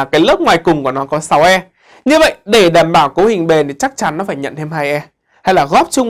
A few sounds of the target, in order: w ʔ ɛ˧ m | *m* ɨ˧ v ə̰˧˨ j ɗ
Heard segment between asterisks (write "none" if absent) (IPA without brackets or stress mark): ɲ